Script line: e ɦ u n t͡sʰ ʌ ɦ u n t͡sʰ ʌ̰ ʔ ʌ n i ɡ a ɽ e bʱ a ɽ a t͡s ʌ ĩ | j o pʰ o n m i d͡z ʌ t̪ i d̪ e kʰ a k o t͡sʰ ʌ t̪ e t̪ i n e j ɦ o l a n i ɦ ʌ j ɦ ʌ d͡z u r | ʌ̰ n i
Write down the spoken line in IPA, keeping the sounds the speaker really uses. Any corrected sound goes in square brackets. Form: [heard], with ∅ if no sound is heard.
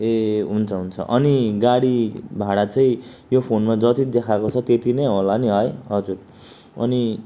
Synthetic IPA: e ɦ u n t͡sʰ ʌ ɦ u n t͡sʰ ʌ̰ ʔ ʌ n i ɡ a ɽ [i] bʱ a ɽ a t͡s ʌ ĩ | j o pʰ o n m [a] d͡z ʌ t̪ i d̪ e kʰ a k o t͡sʰ ʌ t̪ e t̪ i n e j ɦ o l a n i ɦ ʌ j ɦ ʌ d͡z u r | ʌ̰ n i